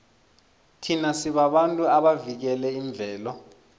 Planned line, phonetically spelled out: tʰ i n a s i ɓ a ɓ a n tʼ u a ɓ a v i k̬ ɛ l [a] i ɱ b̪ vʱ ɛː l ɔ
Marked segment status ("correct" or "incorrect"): incorrect